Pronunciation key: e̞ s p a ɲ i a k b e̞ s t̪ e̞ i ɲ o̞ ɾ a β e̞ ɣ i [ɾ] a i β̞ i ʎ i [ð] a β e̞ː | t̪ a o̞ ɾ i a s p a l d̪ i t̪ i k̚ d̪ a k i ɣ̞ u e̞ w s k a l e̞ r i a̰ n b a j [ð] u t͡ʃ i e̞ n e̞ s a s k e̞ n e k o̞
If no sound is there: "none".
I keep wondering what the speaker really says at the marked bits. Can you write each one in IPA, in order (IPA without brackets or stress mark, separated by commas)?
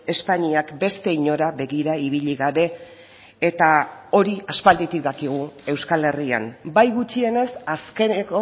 ɾ, ɣ, ɣ